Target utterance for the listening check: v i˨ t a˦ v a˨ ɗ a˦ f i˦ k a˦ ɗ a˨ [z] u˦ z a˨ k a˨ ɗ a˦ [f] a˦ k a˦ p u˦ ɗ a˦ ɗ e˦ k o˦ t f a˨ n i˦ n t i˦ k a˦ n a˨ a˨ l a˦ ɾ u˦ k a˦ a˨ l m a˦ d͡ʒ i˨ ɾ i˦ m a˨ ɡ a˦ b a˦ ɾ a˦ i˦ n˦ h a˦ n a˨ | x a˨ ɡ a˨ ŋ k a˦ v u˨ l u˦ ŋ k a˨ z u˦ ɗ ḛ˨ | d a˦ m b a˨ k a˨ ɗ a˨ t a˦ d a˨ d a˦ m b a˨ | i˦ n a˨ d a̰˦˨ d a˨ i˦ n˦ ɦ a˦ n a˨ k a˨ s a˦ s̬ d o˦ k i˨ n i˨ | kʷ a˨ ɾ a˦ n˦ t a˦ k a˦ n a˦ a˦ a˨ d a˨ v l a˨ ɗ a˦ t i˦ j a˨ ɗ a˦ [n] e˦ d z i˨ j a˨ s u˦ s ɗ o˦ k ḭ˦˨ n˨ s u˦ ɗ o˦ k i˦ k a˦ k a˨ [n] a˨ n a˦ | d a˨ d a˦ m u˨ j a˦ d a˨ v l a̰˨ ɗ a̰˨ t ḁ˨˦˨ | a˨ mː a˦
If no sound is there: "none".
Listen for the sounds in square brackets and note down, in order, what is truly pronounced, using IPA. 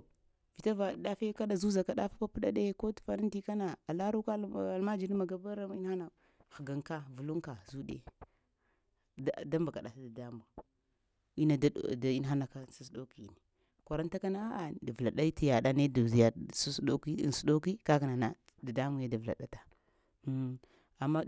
z, f, n, n

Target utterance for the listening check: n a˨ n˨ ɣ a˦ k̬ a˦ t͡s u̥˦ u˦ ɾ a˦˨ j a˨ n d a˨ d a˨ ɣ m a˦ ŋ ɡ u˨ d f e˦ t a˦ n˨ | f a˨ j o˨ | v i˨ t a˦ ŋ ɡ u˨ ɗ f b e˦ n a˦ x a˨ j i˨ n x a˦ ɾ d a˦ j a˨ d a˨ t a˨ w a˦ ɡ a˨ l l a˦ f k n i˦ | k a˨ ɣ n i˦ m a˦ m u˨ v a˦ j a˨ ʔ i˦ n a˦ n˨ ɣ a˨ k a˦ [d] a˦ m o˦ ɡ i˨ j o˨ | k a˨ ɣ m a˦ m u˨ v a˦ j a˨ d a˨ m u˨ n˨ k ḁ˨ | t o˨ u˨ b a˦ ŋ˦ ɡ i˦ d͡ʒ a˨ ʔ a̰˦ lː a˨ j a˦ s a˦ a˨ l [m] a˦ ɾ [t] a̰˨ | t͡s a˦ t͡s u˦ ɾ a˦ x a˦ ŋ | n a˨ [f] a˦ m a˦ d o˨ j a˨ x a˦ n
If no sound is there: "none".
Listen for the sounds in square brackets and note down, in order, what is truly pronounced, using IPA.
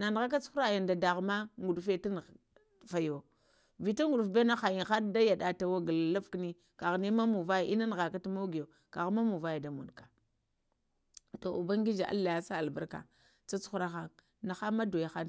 t, b, k, x

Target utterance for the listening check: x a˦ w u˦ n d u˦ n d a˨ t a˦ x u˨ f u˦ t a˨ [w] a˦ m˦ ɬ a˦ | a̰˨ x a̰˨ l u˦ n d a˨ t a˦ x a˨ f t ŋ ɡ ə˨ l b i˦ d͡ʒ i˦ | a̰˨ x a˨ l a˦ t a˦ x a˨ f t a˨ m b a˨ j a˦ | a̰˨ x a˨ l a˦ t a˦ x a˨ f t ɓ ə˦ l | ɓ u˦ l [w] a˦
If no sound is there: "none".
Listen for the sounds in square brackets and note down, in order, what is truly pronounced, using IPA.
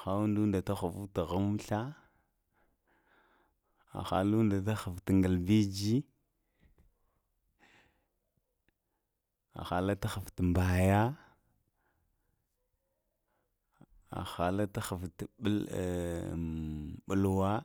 ɣ, w

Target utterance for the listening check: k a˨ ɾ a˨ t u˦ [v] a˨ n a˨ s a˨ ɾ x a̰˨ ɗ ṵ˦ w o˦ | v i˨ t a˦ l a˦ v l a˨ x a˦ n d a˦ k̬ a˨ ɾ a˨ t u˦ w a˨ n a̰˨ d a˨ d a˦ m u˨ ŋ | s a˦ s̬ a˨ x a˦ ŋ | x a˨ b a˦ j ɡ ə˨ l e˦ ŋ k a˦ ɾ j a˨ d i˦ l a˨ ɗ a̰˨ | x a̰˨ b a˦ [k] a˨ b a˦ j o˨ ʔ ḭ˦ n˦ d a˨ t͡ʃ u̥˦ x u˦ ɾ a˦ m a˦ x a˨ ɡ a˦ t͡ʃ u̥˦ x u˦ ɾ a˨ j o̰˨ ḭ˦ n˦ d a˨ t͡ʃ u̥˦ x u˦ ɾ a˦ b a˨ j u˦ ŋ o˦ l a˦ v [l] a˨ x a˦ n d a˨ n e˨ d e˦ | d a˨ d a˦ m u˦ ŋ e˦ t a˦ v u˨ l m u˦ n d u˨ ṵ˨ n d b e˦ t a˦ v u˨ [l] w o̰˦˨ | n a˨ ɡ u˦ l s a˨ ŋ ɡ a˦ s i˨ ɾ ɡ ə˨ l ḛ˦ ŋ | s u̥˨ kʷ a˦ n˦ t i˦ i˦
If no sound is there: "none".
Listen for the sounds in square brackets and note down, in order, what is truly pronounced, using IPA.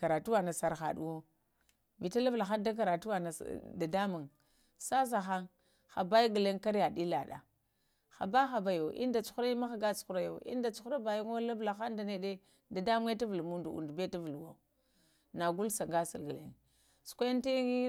w, x, l, l

